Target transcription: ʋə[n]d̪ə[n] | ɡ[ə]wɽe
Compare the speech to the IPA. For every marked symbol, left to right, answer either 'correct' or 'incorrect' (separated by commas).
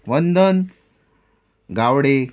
correct, correct, incorrect